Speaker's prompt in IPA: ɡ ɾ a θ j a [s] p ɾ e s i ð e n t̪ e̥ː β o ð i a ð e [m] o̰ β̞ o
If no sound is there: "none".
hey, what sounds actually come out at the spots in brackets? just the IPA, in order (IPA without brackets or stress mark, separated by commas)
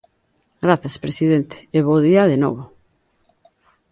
s, n